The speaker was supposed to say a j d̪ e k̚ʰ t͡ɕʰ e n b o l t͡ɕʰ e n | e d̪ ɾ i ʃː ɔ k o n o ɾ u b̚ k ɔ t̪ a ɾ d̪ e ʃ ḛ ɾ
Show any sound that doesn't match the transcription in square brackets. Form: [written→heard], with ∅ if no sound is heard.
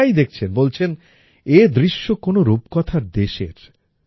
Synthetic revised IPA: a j d̪ e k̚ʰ t͡ɕʰ e n b o l t͡ɕʰ e n | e d̪ ɾ i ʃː [ɔ→o] k o n o ɾ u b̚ k ɔ [t̪→t̪ʰ] a ɾ d̪ e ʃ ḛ ɾ